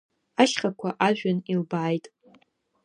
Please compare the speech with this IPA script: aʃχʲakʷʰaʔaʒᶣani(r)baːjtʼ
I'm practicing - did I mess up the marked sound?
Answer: yes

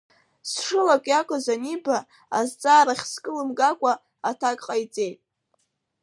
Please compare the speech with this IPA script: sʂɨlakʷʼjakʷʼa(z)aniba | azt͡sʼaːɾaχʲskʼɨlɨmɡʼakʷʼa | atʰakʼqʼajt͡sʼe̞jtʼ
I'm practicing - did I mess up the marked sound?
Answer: no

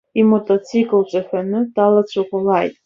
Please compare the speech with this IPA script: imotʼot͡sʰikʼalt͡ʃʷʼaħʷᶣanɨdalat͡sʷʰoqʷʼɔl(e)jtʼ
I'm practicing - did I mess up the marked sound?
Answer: yes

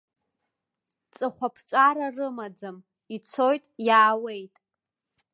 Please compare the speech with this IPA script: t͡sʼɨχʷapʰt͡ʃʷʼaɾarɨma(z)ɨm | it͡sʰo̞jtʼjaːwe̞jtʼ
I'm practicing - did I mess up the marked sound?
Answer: yes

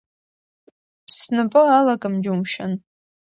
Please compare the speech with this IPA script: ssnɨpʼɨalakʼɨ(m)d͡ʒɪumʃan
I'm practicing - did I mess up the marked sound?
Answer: no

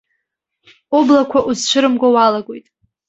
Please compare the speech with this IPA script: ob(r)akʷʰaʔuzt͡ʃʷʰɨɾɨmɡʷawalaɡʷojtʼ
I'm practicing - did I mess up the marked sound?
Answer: yes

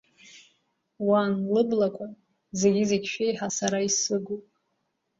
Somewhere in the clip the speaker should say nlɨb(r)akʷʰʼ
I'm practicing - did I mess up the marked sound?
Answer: yes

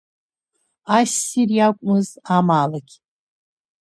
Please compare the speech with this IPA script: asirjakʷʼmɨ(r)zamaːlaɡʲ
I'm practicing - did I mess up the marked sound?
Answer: yes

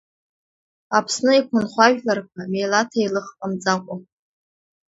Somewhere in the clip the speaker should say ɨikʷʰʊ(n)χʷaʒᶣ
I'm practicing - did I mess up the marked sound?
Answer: no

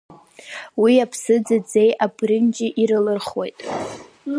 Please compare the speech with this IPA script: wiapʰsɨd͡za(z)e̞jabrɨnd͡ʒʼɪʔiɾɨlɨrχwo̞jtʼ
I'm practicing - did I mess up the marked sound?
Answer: yes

